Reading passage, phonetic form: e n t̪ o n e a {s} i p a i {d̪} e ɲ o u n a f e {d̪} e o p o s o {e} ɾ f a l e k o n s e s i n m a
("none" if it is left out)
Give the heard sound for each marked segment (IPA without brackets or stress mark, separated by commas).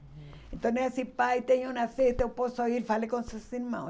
s, t̪, t̪, i